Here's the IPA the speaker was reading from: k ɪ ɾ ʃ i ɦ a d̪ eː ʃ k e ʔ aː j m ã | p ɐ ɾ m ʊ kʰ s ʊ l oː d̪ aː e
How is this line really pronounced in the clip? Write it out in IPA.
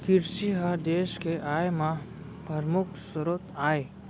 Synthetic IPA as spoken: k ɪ ɾ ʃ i ɦ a d̪ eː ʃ k e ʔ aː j m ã | p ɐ ɾ m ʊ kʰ s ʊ ɾ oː t̪ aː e